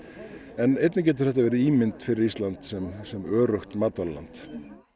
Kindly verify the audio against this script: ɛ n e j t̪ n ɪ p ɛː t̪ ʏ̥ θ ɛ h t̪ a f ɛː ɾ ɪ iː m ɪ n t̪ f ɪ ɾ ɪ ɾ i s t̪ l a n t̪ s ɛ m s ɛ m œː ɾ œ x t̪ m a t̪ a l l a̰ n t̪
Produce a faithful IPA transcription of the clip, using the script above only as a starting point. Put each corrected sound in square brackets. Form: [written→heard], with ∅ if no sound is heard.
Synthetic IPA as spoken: ɛ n e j t̪ n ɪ [p→c] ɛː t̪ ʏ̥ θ ɛ h t̪ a [f→v] ɛː ɾ ɪ iː m ɪ n t̪ f ɪ ɾ ɪ ɾ i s t̪ l a n t̪ s ɛ m s ɛ m œː ɾ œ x t̪ m a t̪ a l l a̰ n t̪